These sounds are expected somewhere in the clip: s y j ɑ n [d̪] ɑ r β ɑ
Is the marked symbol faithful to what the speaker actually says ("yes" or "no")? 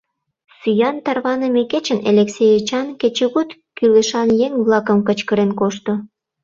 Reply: no